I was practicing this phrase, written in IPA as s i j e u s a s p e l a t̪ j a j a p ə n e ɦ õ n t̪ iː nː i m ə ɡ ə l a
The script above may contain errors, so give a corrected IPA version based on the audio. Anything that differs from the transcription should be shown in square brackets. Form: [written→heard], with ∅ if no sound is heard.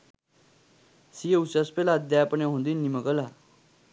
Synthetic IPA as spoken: s i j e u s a s p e l a [t̪→d̪] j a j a p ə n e ɦ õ n [t̪→d̪] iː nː i m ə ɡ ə l a